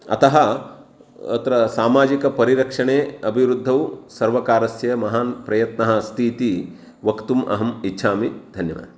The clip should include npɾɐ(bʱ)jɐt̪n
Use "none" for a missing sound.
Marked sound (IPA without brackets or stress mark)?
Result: none